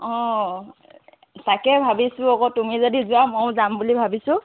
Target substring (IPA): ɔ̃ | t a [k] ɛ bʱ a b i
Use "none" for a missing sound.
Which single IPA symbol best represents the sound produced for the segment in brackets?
k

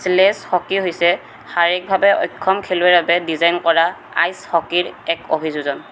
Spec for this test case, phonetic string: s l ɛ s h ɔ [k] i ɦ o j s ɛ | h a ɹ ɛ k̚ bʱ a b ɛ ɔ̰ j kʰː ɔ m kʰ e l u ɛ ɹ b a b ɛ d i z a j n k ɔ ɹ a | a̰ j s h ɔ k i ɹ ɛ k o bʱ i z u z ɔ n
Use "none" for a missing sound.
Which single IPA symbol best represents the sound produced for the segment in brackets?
k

